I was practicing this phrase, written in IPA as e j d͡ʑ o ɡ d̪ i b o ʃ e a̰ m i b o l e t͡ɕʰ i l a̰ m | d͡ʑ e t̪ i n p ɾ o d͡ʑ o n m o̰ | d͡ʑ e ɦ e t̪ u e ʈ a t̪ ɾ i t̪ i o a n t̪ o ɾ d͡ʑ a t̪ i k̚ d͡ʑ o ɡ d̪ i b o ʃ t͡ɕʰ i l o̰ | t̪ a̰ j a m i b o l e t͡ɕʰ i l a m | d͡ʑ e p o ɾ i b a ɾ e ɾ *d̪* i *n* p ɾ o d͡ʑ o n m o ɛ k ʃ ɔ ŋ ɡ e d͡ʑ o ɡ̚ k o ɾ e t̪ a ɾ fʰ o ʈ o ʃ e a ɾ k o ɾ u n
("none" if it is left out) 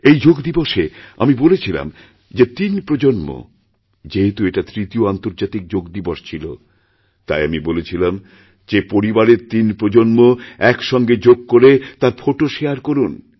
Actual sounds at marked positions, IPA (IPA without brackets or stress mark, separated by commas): t̪, n